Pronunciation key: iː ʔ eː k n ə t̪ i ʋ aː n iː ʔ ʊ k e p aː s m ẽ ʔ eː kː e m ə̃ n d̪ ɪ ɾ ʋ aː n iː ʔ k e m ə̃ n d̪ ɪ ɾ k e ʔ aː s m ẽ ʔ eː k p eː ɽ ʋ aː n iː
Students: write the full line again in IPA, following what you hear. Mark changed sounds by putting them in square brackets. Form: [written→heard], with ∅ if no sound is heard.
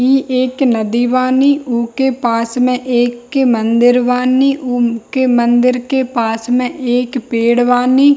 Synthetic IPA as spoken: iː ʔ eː k n ə [t̪→d̪] i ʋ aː n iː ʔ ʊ k e p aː s m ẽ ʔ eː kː e m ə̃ n d̪ ɪ ɾ ʋ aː n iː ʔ k e m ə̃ n d̪ ɪ ɾ k e [ʔ→p] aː s m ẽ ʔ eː k p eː ɽ ʋ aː n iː